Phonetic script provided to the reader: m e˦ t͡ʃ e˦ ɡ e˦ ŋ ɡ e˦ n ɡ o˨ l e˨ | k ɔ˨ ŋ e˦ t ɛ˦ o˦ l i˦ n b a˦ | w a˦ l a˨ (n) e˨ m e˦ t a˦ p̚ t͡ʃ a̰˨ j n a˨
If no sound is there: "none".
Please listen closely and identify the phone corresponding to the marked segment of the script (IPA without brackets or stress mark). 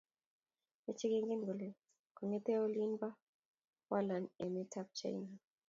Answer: n